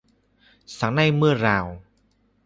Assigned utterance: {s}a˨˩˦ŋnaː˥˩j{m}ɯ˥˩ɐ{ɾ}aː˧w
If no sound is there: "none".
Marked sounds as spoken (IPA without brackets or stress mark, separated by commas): s, m, ɾ